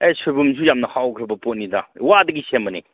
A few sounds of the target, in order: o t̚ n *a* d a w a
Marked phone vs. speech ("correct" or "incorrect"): incorrect